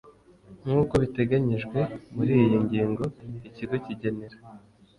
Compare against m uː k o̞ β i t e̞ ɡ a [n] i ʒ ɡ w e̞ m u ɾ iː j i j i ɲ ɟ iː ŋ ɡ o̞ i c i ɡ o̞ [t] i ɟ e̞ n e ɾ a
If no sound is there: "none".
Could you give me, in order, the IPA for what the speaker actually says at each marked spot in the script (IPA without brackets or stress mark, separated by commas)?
ɲ, c